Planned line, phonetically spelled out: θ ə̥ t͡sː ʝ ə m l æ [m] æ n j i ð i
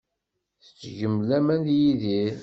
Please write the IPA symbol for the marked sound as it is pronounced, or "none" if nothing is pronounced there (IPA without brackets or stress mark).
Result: m